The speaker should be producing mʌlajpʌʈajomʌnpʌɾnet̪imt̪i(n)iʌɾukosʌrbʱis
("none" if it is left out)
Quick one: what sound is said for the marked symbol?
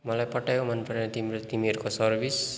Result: m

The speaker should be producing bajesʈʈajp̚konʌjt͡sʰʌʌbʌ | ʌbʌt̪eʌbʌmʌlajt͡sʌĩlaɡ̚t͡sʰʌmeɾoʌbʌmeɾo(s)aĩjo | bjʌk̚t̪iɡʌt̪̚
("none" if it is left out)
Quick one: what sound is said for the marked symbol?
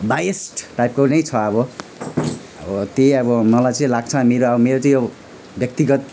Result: t͡s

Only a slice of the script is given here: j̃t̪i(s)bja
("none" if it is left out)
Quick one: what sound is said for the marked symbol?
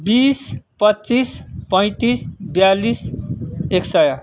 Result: s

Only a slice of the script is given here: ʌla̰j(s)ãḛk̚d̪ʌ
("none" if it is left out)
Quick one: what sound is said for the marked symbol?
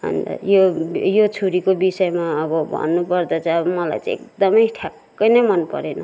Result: t͡s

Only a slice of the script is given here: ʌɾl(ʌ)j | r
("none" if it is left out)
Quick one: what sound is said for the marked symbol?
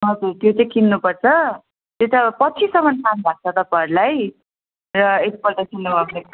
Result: a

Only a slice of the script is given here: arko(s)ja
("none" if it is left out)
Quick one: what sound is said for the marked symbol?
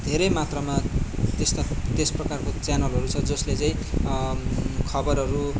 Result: t͡s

